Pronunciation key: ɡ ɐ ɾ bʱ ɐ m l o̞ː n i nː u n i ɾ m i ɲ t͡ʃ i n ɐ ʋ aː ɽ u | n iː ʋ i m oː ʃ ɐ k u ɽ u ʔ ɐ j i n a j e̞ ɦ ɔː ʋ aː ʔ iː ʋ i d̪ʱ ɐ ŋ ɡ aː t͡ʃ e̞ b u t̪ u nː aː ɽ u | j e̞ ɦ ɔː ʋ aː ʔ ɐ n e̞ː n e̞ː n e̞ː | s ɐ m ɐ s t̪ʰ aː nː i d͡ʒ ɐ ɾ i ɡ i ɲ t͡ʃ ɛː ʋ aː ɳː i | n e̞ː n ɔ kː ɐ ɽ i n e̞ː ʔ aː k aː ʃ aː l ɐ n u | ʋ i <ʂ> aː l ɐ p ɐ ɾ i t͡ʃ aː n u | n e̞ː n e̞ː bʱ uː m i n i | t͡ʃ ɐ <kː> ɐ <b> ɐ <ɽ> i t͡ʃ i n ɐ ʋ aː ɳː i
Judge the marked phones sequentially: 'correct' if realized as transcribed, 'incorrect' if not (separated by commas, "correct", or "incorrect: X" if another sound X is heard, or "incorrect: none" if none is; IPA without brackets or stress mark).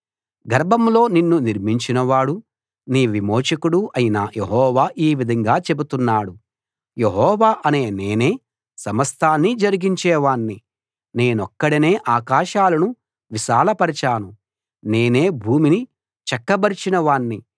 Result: incorrect: ʃ, correct, correct, incorrect: ɾ